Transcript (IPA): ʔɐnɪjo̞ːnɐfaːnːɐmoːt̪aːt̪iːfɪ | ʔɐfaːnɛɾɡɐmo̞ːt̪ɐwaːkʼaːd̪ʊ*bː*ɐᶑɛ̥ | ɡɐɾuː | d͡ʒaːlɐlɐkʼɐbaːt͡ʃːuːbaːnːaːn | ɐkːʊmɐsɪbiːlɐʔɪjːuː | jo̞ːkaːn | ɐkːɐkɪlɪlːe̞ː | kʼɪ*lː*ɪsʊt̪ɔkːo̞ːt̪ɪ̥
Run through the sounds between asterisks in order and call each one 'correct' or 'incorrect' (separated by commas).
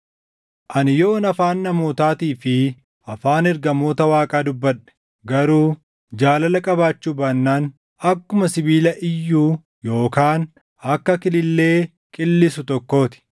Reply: correct, correct